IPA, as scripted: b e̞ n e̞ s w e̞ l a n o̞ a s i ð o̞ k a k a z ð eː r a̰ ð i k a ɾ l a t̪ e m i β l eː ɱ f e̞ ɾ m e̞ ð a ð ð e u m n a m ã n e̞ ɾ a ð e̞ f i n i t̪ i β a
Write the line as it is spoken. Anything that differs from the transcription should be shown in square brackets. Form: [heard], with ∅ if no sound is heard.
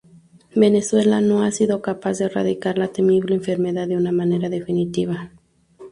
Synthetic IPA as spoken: b e̞ n e̞ s w e̞ l a n o̞ a s i ð o̞ k a [p] a z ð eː r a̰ ð i k a ɾ l a t̪ e m i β l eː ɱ f e̞ ɾ m e̞ ð a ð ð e u [∅] n a m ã n e̞ ɾ a ð e̞ f i n i t̪ i β a

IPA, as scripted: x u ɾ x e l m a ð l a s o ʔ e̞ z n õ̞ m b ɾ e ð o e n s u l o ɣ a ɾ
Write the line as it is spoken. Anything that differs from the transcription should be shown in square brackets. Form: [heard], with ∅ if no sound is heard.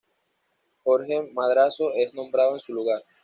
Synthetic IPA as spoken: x [o] ɾ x e [∅] m a ð [ɾ] a s o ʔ e̞ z n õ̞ m b ɾ [a] ð o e n s u l [u] ɣ a ɾ

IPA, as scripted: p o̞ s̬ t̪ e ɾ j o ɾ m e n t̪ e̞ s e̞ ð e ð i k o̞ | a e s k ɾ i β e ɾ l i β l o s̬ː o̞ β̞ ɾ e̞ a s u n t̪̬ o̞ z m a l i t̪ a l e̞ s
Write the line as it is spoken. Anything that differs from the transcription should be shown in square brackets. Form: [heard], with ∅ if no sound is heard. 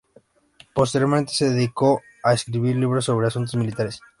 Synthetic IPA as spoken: p o̞ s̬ t̪ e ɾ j o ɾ m e n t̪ e̞ s e̞ ð e ð i k o̞ | a e s k ɾ i β [i] ɾ l i β [ɾ] o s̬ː o̞ β̞ ɾ e̞ a s u n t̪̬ o̞ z m [i] l i t̪ a [ɾ] e̞ s

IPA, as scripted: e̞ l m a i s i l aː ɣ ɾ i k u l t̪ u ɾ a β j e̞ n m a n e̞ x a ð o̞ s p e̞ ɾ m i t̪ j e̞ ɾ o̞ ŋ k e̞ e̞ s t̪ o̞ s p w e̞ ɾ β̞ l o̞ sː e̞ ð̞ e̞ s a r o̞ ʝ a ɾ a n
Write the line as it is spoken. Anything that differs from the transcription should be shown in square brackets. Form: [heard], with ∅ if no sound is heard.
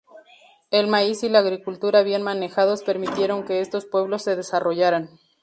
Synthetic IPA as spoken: e̞ l m a i s i l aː ɣ ɾ i k u l t̪ u ɾ a β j e̞ n m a n e̞ x a ð o̞ s p e̞ ɾ m i t̪ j e̞ ɾ o̞ ŋ k e̞ e̞ s t̪ o̞ s p w e̞ [∅] β̞ l o̞ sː e̞ ð̞ e̞ s a r o̞ ʝ a ɾ a n

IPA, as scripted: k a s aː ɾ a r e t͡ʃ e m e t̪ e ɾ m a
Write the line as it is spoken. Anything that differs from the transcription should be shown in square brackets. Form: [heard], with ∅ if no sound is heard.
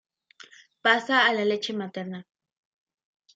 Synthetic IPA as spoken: [p] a s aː [l] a [l] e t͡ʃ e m [a] t̪ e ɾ [n] a

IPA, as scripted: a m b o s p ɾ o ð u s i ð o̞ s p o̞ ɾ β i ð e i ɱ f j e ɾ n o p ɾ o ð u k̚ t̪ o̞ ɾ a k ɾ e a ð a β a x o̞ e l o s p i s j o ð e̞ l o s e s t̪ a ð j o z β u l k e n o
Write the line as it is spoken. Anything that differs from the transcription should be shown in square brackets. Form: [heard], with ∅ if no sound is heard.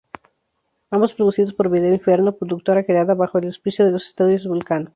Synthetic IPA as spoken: a m b o s p ɾ o ð u s i ð o̞ s p o̞ ɾ β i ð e i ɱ f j e ɾ n o p ɾ o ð u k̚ t̪ o̞ ɾ a k ɾ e a ð a β a x o̞ e l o s p i s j o ð e̞ l o s e s t̪ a ð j o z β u l k [a] n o

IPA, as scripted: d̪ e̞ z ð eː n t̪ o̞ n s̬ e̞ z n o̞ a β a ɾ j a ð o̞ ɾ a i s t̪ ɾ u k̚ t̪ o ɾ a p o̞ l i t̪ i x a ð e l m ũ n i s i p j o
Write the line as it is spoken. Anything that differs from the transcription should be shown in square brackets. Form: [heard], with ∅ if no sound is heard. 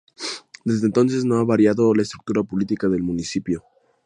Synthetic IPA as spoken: d̪ e̞ z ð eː n t̪ o̞ n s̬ e̞ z n o̞ a β a ɾ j a ð o̞ [l] a [e] s t̪ ɾ u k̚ t̪ [u] ɾ a p o̞ l i t̪ i [k] a ð e l m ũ n i s i p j o

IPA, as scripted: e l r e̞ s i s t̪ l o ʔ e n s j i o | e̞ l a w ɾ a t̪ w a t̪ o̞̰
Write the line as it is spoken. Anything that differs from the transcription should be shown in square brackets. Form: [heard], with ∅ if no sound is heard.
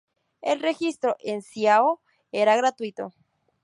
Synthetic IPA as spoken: e l r e̞ [x] i s t̪ [ɾ] o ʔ e n s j [a] o | e̞ [ɾ] a [ɣ] ɾ a t̪ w [i] t̪ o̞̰

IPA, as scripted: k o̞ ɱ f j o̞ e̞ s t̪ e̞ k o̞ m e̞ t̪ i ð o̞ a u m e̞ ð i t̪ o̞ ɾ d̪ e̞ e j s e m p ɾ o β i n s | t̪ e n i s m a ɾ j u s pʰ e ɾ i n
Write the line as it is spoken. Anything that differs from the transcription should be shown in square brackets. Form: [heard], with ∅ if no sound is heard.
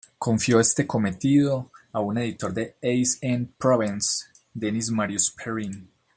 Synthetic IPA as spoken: k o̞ ɱ f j o̞ e̞ s t̪ e̞ k o̞ m e̞ t̪ i ð o̞ a u [n] e̞ ð i t̪ o̞ ɾ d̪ e̞ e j s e [n] p ɾ o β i n s | [d̪] e n i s m a ɾ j u s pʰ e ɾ i n

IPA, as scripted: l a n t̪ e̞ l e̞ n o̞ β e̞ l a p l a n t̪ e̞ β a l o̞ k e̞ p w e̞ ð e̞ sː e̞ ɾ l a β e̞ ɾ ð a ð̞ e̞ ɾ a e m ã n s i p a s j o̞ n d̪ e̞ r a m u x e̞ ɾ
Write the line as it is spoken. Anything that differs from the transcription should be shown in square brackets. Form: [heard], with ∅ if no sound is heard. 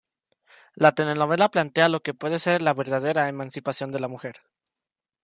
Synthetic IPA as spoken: l a [∅] t̪ e̞ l e̞ n o̞ β e̞ l a p l a n t̪ e̞ [∅] a l o̞ k e̞ p w e̞ ð e̞ [s] e̞ ɾ l a β e̞ ɾ ð a ð̞ e̞ ɾ a e m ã n s i p a s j o̞ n d̪ e̞ [l] a m u x e̞ ɾ

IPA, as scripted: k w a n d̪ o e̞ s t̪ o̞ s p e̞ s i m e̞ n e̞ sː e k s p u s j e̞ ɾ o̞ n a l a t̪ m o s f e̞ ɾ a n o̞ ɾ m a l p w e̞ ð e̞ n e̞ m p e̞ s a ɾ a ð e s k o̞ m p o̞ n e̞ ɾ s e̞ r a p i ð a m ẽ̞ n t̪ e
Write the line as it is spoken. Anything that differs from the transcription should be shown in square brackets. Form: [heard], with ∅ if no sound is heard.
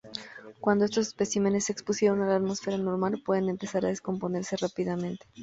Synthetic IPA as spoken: k w a n d̪ o e̞ s t̪ o̞ s p e̞ s i m e̞ n e̞ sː e k s p u s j e̞ ɾ o̞ n a l a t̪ m o s f e̞ ɾ a n o̞ ɾ m a l p w e̞ ð e̞ n e̞ m p e̞ s a ɾ a ð e s k o̞ m p o̞ n e̞ ɾ s e̞ r a p i ð a m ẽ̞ n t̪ e

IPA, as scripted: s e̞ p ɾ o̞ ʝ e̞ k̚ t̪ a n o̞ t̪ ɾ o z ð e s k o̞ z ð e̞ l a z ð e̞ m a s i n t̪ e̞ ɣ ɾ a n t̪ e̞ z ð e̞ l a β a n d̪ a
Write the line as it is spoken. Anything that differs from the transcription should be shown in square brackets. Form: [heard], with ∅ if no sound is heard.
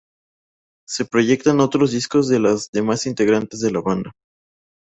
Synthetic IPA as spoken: s e̞ p ɾ o̞ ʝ e̞ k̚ t̪ a n o̞ t̪ ɾ o z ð [i] s k o̞ z ð e̞ l a z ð e̞ m a s i n t̪ e̞ ɣ ɾ a n t̪ e̞ z ð e̞ l a β a n d̪ a

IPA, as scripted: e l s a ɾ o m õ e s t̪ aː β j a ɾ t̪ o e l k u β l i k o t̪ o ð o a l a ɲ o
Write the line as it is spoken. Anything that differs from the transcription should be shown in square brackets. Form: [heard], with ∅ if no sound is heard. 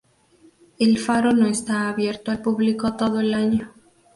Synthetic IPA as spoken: e l [f] a ɾ o [n] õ e s t̪ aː β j [e] ɾ t̪ o [a] l [p] u β l i k o t̪ o ð o [e] l a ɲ o

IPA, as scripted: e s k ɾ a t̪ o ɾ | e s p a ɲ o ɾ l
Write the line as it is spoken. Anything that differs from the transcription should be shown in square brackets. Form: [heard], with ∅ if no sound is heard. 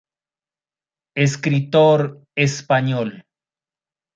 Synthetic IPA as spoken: e s k ɾ [i] t̪ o ɾ | e s p a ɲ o [∅] l

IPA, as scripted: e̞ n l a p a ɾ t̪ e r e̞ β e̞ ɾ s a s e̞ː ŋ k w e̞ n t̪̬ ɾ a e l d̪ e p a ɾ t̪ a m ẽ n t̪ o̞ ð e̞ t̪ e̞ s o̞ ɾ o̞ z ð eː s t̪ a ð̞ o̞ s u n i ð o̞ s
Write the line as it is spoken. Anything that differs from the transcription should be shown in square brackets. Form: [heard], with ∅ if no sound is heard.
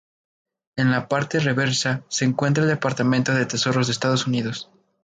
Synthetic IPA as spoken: e̞ n l a p a ɾ t̪ e r e̞ β e̞ ɾ s a s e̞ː ŋ k w e̞ n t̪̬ ɾ a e l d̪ e p a ɾ t̪ a m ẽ n t̪ o̞ ð e̞ t̪ e̞ s o̞ ɾ o̞ z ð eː s t̪ a ð̞ o̞ s u n i ð o̞ s

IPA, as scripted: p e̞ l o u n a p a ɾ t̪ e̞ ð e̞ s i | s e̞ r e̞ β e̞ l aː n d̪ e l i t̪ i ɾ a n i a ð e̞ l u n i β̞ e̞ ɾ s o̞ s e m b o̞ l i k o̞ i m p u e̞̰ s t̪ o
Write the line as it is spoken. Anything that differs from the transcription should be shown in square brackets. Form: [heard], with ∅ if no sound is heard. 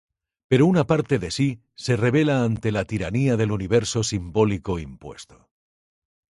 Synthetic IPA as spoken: p e̞ [ɾ] o u n a p a ɾ t̪ e̞ ð e̞ s i | s e̞ r e̞ β e̞ l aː n [t̪] e l [a] t̪ i ɾ a n i a ð e̞ l u n i β̞ e̞ ɾ s o̞ s [i] m b o̞ l i k o̞ i m p [w] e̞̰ s t̪ o

